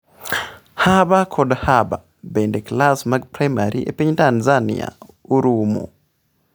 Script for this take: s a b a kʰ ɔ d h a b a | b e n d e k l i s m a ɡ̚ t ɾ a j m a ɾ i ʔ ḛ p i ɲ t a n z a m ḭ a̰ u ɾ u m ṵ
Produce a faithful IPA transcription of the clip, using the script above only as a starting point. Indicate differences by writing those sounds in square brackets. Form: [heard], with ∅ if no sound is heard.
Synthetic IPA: [h] a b a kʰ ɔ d h a b a | b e n d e k l [a] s m a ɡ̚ [p] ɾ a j m a ɾ i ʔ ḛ p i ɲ t a n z a [n] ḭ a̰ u ɾ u m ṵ